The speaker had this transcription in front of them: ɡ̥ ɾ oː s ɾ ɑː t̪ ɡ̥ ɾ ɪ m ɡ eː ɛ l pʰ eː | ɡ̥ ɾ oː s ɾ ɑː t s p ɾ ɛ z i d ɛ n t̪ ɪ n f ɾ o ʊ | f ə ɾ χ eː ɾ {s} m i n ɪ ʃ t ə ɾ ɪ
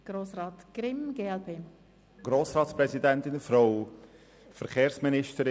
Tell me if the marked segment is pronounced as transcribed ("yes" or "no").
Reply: yes